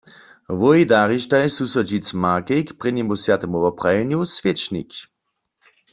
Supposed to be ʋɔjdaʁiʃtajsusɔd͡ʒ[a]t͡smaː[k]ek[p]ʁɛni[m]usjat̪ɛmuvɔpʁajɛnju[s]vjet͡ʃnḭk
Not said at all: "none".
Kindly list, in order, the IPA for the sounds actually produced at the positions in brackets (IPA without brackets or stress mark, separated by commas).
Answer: i, k, p, m, s